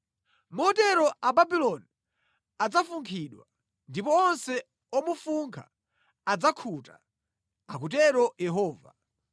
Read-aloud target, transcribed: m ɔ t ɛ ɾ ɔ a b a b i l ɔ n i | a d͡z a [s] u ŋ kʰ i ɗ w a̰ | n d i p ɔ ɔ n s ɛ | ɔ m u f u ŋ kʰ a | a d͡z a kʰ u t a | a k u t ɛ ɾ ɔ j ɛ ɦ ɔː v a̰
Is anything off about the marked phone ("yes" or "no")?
yes